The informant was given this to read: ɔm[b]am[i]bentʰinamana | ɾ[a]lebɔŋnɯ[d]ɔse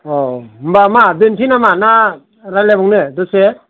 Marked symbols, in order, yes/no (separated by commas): yes, no, yes, yes